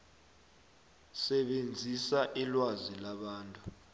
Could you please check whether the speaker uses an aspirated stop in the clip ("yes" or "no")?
no